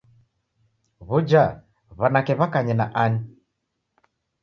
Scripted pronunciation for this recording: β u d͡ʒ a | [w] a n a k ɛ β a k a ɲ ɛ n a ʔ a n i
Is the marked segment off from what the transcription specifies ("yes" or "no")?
yes